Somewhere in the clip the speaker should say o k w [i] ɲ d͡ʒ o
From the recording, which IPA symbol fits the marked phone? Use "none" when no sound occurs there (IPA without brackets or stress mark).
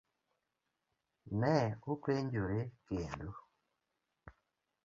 e